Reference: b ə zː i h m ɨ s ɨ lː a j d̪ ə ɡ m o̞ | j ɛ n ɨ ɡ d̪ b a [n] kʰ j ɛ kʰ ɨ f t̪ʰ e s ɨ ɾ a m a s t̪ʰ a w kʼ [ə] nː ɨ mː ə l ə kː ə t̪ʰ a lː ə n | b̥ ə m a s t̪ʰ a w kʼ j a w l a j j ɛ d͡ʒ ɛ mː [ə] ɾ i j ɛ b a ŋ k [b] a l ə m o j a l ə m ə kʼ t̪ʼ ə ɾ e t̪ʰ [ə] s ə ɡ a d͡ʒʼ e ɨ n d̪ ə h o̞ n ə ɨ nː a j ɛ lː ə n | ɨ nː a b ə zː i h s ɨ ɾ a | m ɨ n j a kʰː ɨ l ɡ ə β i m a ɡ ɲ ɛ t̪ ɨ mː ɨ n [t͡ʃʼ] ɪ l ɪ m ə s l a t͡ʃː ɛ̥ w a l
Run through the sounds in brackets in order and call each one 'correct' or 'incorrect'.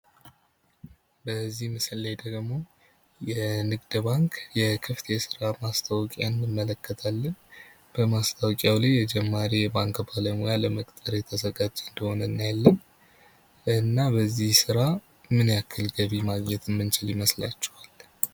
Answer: incorrect: ŋ, incorrect: a, incorrect: a, correct, correct, incorrect: t͡ʃ

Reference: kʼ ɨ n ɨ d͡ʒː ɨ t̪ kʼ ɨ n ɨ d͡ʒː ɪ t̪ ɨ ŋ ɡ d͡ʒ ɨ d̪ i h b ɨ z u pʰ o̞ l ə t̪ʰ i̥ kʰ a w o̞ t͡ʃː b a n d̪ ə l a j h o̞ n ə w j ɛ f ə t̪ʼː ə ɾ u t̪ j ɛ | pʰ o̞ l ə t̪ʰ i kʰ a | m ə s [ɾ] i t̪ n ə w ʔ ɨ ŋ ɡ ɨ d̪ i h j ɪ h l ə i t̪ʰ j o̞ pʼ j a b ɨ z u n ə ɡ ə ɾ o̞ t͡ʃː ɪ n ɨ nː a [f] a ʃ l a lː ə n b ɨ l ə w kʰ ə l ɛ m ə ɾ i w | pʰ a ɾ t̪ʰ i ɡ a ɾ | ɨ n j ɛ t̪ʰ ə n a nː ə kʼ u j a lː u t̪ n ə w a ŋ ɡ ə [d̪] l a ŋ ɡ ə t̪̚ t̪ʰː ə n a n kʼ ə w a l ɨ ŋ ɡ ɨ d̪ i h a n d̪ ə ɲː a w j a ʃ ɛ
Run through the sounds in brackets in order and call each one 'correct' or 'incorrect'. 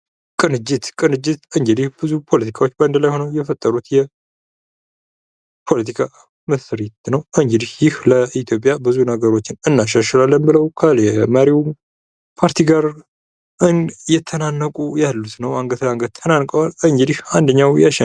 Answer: correct, incorrect: ʃ, incorrect: t̪

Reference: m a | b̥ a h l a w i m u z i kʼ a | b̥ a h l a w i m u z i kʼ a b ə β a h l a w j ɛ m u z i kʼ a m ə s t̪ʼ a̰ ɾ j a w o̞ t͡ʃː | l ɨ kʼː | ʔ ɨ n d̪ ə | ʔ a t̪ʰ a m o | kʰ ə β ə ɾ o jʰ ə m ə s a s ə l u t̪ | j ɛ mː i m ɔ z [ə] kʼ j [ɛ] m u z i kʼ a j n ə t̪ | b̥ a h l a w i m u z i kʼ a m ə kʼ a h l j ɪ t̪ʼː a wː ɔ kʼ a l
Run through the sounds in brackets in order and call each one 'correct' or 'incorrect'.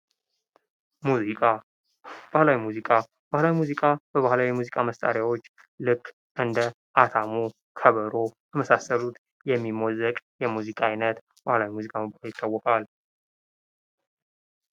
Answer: correct, correct

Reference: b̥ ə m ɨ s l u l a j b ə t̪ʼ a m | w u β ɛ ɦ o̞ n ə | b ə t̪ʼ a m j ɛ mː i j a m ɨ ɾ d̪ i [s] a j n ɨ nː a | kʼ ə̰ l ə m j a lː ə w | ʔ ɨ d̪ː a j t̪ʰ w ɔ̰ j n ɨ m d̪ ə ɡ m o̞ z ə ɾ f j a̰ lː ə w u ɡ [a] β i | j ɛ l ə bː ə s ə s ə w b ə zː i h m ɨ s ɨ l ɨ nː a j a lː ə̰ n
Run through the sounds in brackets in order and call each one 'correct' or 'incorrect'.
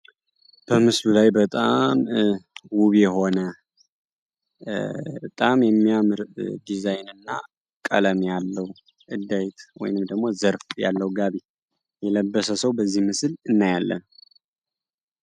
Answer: incorrect: z, correct

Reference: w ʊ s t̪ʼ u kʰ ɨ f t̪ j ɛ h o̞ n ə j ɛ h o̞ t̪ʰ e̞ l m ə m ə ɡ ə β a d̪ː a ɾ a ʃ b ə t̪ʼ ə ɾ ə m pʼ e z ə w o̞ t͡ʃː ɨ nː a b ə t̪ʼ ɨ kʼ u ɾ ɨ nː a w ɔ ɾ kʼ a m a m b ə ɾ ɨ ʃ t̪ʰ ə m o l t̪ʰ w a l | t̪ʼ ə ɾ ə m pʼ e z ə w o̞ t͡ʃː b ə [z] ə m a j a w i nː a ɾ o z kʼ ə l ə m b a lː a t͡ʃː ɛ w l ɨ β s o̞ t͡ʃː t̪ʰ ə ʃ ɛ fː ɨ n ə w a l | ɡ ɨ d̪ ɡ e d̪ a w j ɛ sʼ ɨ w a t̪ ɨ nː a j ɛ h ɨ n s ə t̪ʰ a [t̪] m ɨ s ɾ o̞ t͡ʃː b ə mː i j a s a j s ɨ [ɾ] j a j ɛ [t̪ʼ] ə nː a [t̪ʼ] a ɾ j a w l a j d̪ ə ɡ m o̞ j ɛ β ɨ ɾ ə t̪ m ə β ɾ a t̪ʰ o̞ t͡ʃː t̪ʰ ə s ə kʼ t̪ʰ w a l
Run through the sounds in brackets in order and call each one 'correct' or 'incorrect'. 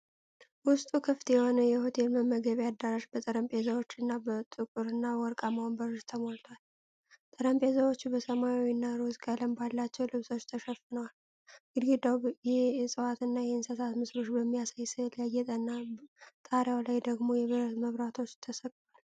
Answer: incorrect: s, correct, incorrect: l, correct, correct

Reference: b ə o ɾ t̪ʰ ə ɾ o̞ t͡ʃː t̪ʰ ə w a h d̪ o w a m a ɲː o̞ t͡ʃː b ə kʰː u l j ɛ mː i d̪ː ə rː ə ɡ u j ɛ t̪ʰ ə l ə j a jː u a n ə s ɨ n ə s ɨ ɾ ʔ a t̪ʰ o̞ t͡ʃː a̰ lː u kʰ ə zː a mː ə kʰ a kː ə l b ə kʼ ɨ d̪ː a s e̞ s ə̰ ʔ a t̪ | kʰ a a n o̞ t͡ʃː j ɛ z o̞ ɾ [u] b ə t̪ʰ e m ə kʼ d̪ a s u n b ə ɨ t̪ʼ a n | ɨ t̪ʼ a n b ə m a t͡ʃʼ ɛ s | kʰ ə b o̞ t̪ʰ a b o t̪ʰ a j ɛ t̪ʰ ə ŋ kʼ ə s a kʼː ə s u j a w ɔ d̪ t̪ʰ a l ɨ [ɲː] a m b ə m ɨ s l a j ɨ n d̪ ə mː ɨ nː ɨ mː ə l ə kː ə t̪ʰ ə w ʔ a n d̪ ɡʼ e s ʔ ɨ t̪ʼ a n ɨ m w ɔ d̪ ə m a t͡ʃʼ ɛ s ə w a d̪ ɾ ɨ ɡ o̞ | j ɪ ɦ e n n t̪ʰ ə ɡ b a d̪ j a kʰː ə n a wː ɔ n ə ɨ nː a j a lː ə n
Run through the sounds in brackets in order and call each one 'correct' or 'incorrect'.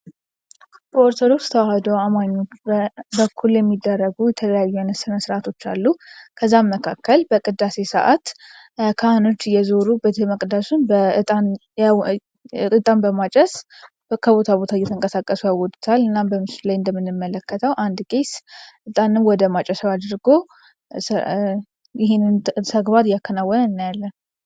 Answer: correct, incorrect: nː

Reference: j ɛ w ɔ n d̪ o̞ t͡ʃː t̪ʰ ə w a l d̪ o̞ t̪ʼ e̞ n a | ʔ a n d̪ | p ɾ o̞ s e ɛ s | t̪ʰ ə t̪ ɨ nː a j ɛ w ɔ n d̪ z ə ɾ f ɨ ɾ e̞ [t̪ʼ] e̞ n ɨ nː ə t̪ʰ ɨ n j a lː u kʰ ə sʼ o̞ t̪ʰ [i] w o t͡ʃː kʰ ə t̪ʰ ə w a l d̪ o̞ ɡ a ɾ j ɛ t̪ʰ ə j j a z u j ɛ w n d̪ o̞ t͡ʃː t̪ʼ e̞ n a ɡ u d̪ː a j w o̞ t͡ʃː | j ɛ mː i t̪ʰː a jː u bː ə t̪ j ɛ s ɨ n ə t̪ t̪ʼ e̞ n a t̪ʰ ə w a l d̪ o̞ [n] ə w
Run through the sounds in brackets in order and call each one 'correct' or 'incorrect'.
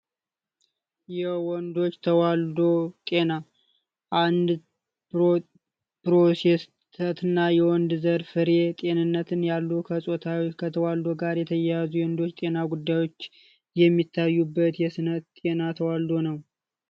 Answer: correct, incorrect: a, correct

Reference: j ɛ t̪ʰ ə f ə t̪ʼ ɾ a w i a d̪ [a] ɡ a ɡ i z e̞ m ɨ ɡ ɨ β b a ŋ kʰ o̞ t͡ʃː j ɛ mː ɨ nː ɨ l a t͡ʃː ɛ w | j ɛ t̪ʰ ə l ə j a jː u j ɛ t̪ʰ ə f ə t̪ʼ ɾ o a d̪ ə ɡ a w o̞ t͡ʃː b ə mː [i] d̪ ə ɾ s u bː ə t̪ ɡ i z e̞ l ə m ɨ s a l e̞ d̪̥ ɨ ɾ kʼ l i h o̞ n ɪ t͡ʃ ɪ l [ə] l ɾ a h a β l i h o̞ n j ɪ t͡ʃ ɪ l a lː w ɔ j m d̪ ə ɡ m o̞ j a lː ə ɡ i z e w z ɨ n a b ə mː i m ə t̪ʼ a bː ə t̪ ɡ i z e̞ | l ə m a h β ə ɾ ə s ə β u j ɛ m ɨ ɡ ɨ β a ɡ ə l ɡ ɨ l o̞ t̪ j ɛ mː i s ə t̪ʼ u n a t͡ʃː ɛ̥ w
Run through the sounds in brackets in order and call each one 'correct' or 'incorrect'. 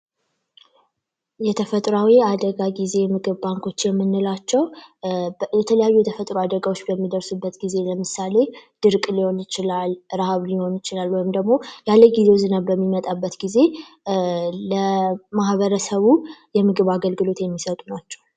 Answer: incorrect: ə, correct, incorrect: a

